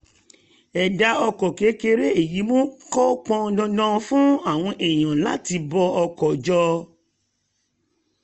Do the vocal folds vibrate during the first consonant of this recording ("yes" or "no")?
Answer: yes